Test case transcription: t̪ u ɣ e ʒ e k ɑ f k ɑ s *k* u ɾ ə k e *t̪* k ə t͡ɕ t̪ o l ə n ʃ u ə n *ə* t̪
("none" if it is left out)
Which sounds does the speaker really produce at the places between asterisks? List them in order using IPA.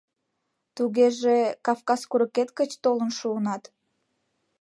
k, t̪, ɑ

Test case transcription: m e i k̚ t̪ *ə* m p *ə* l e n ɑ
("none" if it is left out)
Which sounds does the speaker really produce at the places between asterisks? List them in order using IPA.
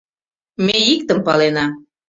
ə, ɑ

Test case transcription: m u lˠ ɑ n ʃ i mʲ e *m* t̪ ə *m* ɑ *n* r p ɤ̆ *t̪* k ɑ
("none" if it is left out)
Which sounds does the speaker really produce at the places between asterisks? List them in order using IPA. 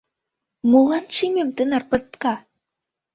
m, n, none, t̪

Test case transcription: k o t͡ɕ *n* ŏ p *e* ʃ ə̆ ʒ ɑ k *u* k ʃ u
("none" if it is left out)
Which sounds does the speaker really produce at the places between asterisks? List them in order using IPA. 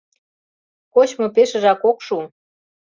m, e, o

